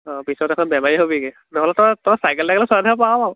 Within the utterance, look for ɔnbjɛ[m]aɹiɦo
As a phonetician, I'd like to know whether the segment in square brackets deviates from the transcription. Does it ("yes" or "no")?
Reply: no